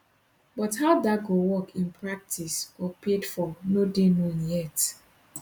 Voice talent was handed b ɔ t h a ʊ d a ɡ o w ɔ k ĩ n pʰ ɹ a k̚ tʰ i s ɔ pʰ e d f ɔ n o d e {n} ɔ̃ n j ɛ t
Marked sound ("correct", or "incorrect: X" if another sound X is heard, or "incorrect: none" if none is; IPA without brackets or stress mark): correct